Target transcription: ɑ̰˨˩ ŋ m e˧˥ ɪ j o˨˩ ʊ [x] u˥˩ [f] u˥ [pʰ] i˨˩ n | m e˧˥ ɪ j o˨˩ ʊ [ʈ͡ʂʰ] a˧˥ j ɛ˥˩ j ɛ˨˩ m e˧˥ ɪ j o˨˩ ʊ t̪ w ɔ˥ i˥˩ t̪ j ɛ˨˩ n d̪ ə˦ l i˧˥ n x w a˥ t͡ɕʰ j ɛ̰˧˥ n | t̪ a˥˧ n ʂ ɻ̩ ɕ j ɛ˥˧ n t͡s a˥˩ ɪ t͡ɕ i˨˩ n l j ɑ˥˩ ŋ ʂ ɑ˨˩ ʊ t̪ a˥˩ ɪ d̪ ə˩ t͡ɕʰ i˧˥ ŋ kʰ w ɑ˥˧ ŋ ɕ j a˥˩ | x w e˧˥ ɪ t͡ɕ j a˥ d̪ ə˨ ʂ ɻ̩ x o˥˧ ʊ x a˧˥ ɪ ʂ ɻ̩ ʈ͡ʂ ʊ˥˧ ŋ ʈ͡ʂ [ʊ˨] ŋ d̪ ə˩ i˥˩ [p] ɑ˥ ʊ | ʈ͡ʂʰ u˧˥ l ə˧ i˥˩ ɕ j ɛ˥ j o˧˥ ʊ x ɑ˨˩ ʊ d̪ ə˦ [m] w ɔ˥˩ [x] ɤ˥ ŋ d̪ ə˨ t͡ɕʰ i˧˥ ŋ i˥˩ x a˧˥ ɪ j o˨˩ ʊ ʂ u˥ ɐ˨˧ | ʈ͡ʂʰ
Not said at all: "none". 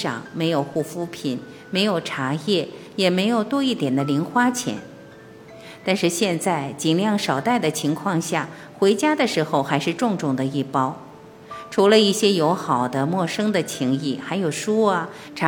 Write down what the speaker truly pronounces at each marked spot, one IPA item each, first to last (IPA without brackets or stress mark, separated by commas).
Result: x, f, pʰ, ʈ͡ʂʰ, ʊ˥˩, p, m, ʂ